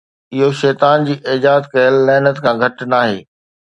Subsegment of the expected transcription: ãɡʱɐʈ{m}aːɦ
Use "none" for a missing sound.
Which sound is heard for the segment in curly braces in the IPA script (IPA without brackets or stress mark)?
n